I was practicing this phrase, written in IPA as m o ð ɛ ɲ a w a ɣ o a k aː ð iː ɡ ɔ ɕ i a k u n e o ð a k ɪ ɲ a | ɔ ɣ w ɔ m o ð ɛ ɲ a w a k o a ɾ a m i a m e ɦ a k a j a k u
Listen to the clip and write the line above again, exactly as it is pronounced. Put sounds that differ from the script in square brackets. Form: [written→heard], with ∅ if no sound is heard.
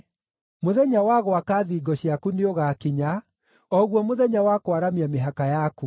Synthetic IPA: m o ð ɛ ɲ a w a ɣ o a k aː ð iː ɡ ɔ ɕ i a k u n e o [ð→ɣ] a k [ɪ→i] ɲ a | ɔ ɣ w ɔ m o ð ɛ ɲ a w a k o a ɾ a m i a m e ɦ a k a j a k u